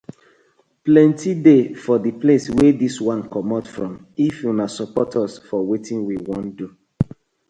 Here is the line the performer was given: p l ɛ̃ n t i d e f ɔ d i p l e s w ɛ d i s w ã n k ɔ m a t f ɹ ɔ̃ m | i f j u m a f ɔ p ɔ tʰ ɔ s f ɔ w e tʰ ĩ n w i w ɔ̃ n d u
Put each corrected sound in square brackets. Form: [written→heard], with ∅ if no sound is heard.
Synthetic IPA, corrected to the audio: p l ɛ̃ n t i d e f ɔ d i p l e s w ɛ d i s w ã n k ɔ m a t f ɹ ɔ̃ m | i f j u [m→n] a [f→s] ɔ p ɔ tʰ ɔ s f ɔ w e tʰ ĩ n w i w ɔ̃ n d u